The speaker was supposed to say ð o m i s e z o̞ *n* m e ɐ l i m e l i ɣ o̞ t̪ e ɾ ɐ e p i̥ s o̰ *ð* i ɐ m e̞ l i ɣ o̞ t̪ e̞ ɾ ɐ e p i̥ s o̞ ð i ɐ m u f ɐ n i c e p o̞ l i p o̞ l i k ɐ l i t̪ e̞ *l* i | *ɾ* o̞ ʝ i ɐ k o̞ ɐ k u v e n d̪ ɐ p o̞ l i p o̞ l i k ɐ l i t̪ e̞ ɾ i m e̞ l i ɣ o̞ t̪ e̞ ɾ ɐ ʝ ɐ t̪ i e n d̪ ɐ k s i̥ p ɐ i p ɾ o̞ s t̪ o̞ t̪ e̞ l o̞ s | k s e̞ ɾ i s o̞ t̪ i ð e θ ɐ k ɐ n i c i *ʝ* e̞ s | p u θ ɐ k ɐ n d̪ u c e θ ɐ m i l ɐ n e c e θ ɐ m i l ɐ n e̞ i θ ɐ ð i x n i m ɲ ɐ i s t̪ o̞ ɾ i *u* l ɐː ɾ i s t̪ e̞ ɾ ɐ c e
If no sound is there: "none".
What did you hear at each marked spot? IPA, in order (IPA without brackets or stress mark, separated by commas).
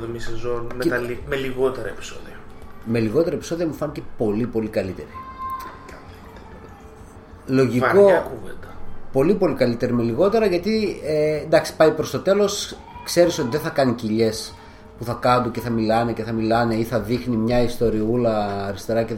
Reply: n, ð, ɾ, l, ʎ, u